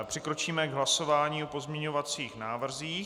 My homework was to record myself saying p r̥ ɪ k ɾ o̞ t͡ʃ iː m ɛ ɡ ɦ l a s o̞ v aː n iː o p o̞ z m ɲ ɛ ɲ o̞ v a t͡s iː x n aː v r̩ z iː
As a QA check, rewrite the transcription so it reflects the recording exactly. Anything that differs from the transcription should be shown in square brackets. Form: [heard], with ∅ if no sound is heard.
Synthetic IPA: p r̥ ɪ k ɾ o̞ t͡ʃ iː m ɛ ɡ ɦ l a s o̞ v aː [ɲ] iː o p o̞ z m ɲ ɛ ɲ o̞ v a t͡s iː x n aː v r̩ z iː